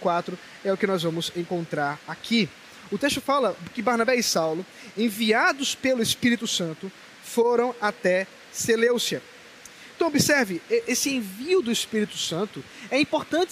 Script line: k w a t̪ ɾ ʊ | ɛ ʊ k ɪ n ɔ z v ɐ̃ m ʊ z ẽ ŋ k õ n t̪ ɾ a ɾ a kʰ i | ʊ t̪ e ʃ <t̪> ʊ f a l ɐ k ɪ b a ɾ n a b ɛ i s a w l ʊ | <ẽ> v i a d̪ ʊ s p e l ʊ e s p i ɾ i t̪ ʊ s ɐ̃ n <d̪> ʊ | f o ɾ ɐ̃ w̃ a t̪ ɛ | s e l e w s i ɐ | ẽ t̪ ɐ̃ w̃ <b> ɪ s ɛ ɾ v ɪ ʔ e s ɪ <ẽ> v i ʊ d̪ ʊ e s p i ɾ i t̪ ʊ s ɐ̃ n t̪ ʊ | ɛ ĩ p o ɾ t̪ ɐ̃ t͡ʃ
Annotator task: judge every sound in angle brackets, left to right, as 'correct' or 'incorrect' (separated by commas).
correct, correct, incorrect, correct, correct